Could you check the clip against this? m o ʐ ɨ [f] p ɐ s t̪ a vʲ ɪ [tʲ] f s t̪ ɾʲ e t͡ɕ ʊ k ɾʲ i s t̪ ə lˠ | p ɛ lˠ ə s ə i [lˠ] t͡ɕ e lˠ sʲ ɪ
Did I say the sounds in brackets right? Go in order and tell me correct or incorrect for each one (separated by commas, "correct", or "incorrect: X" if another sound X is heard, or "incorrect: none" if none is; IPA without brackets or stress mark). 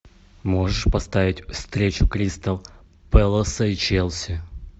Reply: incorrect: ʂ, correct, incorrect: none